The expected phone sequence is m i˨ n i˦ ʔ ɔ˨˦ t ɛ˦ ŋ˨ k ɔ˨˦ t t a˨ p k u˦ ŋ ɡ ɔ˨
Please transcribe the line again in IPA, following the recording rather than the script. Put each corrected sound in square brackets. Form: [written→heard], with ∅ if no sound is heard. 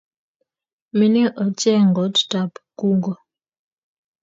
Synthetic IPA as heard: m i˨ n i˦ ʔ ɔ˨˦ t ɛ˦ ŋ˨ [k→ɡ] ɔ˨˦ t t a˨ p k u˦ ŋ ɡ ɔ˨